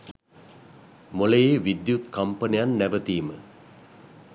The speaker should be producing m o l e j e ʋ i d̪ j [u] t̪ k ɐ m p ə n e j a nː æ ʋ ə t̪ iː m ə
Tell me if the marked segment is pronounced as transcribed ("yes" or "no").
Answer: yes